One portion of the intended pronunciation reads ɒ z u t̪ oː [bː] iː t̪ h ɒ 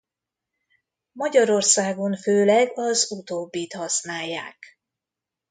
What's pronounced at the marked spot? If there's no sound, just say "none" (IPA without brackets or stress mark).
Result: bː